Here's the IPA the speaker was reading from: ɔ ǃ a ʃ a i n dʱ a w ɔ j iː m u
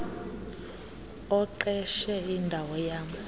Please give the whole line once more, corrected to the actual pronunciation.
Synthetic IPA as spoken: ɔ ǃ ɛ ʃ ɛ i n dʱ a w ɔ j aː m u